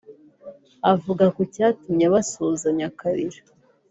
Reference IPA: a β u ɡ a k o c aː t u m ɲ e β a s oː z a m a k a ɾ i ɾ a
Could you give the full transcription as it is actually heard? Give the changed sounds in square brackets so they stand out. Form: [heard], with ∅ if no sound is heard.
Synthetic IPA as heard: a [v] u ɡ a k o c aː t u m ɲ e β a s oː z a [ɲ] a k a ɾ i ɾ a